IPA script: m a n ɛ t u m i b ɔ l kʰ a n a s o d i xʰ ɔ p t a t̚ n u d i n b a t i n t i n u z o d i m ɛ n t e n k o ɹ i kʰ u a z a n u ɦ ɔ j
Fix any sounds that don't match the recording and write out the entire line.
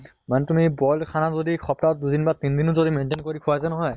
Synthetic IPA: m a n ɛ t u m i b ɔ l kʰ a n a z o d i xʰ ɔ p t a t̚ d u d i n b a t i n d i n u z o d i m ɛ n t e n k o ɹ i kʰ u a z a n ɔ ɦ ɔ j